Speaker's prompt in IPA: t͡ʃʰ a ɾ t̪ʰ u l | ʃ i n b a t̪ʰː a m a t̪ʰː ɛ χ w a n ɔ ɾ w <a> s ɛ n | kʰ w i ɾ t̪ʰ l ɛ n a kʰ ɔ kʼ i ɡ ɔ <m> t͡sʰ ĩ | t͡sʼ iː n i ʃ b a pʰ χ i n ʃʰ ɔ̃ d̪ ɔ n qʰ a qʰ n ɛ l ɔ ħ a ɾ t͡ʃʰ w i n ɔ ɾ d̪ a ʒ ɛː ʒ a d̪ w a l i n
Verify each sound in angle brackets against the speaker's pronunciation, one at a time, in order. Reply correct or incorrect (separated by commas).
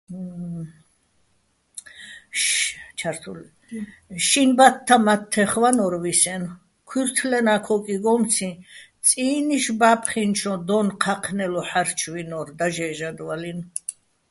incorrect, correct